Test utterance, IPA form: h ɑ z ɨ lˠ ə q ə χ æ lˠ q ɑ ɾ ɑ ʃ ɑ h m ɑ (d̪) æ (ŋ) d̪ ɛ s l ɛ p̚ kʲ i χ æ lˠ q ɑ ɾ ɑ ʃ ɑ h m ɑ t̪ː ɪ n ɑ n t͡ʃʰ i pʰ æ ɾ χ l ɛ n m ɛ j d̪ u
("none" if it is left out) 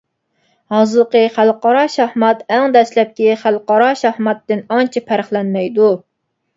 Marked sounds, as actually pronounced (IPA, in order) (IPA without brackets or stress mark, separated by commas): t̪, ŋ